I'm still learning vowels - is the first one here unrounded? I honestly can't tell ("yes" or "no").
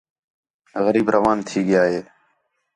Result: yes